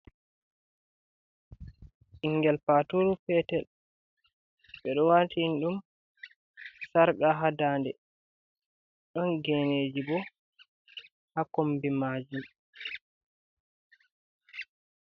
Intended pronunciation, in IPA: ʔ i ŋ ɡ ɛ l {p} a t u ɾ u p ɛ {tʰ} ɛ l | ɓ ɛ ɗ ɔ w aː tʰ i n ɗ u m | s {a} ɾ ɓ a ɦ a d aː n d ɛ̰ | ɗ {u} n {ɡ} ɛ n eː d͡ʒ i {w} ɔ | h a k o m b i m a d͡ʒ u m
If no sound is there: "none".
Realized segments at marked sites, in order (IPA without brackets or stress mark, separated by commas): p, t, a, ɔ, ɡ, b